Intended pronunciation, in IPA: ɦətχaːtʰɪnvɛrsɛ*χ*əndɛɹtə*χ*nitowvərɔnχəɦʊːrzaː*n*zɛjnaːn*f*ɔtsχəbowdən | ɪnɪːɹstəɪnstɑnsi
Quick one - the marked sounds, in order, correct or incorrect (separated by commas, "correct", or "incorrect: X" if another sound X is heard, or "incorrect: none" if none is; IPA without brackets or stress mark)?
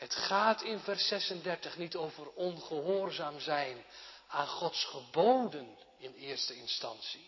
incorrect: s, correct, incorrect: m, incorrect: χ